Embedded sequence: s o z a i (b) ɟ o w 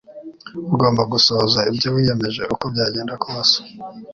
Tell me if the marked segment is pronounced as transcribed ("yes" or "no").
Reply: yes